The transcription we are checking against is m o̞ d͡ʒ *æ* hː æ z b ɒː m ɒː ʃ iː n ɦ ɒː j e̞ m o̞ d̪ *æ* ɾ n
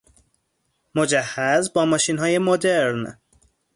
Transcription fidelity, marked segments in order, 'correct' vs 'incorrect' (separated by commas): correct, incorrect